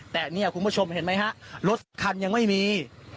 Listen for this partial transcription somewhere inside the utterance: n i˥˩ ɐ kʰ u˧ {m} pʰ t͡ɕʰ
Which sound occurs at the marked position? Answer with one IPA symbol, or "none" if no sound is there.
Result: n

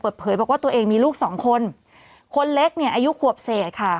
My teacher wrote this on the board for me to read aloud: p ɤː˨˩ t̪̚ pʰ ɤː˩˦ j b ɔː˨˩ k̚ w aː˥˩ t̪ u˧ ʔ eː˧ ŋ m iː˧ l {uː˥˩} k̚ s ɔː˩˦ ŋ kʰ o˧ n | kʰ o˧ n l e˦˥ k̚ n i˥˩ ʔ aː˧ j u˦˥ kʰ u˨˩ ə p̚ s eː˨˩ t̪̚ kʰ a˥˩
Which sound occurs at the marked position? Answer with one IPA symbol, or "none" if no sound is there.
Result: uː˥˩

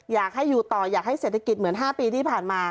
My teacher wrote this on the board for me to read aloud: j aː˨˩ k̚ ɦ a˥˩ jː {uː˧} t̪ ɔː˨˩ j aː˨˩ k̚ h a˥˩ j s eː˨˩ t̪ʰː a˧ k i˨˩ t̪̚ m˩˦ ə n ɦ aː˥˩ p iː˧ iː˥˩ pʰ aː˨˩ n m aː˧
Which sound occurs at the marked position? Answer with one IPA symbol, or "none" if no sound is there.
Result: uː˨˩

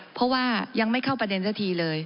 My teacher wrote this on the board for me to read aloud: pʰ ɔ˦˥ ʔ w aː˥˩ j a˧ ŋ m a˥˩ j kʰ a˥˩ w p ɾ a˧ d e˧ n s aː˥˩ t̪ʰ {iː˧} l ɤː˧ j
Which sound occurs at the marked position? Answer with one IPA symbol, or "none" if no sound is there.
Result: iː˧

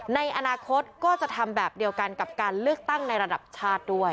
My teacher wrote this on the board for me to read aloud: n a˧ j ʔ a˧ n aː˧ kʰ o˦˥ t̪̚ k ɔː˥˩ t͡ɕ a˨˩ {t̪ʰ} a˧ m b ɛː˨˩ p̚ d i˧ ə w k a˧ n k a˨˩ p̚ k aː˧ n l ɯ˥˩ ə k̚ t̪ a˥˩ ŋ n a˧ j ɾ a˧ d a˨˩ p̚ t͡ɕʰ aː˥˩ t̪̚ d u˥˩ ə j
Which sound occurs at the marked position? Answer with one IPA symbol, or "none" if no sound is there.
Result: t̪ʰ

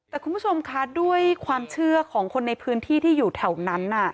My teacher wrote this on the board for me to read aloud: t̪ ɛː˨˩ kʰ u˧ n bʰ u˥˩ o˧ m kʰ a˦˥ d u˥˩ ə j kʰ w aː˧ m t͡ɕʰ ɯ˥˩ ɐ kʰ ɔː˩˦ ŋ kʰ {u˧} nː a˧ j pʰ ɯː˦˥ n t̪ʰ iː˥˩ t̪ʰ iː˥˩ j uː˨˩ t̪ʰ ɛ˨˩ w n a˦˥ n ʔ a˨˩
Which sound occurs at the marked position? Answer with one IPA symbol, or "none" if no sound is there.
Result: o˧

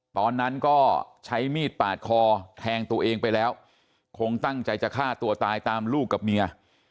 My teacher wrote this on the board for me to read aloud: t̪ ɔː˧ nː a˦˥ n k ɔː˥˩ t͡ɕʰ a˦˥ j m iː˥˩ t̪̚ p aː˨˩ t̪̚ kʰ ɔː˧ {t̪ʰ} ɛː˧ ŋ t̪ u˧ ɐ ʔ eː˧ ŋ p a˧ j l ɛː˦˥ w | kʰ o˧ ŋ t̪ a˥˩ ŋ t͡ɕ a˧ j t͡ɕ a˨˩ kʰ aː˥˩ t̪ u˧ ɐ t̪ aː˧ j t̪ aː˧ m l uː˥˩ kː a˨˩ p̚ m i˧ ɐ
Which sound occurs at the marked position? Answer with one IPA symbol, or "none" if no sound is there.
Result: t̪ʰ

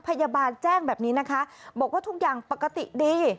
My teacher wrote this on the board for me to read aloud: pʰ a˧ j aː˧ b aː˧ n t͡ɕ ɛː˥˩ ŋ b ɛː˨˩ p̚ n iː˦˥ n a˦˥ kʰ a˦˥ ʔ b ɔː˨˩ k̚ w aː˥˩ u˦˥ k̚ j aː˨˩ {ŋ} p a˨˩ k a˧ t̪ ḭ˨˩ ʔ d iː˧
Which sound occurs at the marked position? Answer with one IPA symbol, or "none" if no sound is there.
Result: ŋ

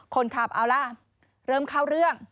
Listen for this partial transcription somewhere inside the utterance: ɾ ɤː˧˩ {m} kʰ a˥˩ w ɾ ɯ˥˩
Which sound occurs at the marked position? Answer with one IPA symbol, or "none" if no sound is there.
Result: m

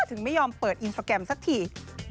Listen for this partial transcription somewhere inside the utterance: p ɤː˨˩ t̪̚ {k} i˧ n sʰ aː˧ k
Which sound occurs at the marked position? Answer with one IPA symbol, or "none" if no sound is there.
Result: ʔ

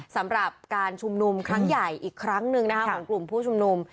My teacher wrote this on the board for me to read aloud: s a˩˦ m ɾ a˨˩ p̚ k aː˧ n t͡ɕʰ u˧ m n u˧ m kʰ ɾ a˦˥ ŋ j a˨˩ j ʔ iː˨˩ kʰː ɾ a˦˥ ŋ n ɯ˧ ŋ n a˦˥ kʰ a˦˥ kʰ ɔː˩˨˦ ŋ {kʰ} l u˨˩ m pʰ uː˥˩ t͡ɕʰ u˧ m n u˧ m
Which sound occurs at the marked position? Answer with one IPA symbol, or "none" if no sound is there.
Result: k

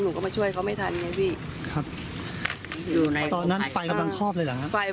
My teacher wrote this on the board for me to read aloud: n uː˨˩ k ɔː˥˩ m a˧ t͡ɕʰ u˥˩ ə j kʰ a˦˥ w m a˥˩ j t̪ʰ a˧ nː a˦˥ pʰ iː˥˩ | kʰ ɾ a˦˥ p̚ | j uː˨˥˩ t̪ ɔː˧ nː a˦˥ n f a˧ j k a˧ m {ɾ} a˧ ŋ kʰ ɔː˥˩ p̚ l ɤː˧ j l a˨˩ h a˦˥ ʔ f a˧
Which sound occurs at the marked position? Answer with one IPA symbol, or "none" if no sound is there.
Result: l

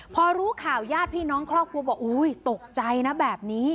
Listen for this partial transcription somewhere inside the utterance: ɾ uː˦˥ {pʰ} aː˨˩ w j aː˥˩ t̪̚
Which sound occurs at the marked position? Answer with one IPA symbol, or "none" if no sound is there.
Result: kʰ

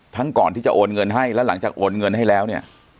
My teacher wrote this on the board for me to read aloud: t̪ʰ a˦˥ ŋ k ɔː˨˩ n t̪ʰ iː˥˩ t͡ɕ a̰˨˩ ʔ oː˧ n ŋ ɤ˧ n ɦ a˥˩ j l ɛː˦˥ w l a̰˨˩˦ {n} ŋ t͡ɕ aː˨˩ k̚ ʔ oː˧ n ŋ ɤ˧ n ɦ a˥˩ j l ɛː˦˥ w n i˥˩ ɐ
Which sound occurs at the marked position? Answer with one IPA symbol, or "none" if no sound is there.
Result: none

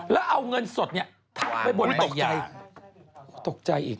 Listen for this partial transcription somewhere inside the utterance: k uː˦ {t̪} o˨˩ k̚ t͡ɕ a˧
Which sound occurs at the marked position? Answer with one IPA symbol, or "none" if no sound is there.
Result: t̪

